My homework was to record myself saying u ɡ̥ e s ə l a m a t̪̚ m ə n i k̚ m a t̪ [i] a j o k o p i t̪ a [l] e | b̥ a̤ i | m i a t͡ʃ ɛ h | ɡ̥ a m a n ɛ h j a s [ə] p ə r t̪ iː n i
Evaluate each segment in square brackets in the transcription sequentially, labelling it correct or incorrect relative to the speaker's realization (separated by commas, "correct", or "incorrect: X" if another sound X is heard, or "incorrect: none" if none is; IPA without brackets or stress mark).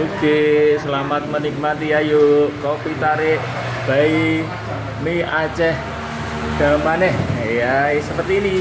correct, incorrect: ɾ, correct